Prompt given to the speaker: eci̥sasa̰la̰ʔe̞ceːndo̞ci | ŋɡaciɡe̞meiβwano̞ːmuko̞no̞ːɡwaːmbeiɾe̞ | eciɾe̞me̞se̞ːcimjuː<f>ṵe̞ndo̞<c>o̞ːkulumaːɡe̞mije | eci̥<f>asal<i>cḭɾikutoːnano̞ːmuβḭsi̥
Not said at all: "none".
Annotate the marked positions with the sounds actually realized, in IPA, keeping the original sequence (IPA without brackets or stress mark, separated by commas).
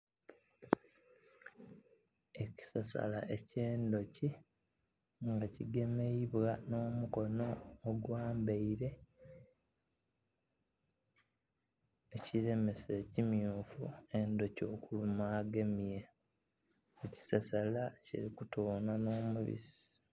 f, c, s, a